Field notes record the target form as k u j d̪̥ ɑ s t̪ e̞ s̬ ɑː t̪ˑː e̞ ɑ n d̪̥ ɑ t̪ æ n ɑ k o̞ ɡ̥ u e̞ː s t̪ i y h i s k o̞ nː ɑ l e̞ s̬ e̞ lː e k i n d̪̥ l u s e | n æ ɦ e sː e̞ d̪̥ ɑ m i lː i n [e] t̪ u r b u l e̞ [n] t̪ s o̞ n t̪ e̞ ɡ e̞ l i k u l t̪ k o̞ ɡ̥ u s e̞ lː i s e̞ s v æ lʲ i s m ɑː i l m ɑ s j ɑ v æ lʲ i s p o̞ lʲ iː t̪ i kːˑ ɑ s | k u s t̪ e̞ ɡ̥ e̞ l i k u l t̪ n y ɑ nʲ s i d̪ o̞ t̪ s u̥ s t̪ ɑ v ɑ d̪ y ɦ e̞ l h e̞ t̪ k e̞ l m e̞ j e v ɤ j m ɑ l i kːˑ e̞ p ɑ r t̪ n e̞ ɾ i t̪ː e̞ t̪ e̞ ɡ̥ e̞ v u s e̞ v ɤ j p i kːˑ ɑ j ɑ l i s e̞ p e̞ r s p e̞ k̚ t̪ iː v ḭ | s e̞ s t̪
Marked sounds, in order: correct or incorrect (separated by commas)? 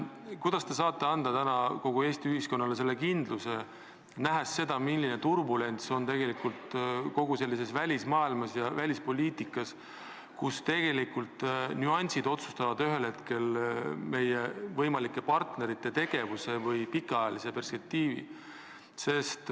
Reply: correct, correct